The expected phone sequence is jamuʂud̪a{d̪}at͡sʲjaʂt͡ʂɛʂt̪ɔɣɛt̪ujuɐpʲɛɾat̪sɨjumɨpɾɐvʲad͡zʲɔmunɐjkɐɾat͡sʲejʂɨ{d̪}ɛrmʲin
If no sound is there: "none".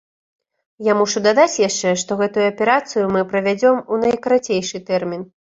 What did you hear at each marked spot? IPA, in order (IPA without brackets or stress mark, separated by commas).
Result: d̪, t̪